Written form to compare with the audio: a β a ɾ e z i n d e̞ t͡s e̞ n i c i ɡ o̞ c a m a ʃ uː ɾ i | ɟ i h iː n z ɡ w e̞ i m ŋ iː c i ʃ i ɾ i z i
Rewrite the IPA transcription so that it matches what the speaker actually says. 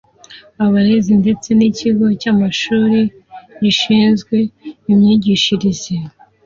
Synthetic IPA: a β a ɾ e z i n d e̞ t͡s e̞ n i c i ɡ o̞ c a m a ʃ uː ɾ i | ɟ i ʃ iː n z ɡ w e̞ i m ɲ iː ɟ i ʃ i ɾ i z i